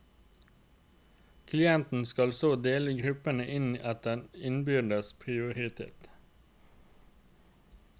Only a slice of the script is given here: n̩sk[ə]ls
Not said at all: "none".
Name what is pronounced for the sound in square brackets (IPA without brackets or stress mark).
ɑ